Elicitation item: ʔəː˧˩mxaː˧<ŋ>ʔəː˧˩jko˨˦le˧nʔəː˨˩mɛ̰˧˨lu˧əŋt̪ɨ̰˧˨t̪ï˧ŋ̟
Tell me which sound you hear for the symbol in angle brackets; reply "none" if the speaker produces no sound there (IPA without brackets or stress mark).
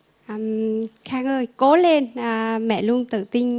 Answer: ŋ